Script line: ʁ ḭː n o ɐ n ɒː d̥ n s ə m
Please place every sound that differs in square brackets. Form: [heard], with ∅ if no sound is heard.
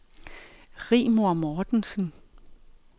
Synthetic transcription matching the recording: ʁ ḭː [m] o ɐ [m] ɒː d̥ n s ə [n]